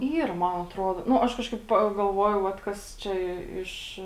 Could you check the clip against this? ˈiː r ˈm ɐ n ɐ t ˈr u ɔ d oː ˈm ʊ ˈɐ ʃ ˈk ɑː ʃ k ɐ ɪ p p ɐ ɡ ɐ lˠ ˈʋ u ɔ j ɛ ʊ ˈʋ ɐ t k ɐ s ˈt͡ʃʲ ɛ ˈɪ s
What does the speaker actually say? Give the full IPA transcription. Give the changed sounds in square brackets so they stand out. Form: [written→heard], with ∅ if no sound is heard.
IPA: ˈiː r ˈm ɐ n ɐ t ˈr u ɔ d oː [ˈm→ˈn] ʊ ˈɐ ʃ ˈk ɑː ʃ k ɐ ɪ p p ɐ ɡ ɐ lˠ ˈʋ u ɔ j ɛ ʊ ˈʋ ɐ t k ɐ s ˈt͡ʃʲ ɛ ˈɪ [s→ʃ]